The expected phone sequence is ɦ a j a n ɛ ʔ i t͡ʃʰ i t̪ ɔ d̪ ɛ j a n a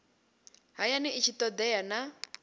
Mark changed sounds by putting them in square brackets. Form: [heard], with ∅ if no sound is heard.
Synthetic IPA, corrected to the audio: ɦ a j a n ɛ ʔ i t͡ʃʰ i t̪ ɔ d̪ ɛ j a n a